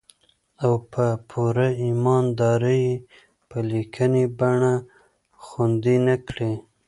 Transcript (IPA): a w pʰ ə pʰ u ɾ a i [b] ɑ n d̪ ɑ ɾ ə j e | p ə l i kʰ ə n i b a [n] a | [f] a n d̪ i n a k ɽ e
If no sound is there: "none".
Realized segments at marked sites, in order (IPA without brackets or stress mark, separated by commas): m, ɳ, x